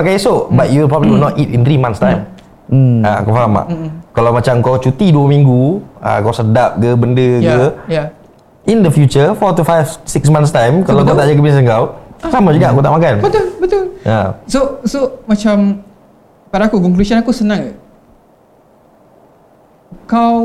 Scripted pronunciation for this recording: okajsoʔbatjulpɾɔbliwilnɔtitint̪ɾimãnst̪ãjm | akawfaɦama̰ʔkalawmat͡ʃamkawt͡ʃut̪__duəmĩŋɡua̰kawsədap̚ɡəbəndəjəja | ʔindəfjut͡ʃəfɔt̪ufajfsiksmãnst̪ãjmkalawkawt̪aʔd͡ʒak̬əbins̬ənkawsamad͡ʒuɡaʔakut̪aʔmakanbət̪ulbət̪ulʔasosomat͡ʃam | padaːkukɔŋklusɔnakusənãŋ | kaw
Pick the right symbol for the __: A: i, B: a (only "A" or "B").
A